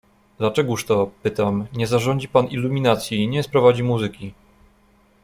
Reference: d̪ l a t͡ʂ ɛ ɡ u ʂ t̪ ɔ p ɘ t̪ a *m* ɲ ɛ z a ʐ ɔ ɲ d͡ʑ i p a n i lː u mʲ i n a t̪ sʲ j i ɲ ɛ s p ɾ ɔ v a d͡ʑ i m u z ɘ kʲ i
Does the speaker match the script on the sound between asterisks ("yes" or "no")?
yes